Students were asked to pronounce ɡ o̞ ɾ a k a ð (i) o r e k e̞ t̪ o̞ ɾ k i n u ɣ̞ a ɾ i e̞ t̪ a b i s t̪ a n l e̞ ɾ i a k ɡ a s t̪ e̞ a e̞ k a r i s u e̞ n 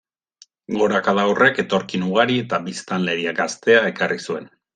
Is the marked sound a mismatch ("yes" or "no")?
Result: yes